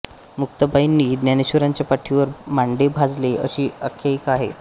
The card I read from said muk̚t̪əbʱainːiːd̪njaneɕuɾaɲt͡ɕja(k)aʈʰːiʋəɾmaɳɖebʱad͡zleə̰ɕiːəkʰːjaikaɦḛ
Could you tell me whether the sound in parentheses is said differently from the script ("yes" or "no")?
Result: yes